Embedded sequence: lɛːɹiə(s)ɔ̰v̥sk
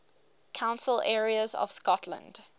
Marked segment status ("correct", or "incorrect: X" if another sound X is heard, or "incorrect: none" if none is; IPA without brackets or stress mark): incorrect: z